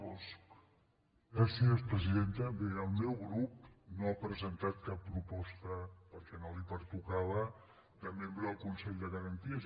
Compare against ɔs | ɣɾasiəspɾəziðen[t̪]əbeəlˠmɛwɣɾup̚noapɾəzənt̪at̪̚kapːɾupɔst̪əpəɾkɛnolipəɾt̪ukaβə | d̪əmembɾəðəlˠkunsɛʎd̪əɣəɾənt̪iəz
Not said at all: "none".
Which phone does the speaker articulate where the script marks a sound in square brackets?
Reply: t̪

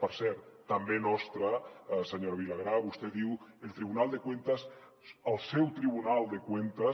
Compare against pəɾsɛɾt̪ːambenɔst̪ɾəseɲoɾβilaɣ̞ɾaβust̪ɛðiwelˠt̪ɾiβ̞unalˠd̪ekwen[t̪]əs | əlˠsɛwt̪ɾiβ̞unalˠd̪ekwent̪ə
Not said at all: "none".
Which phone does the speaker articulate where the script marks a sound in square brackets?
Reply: t̪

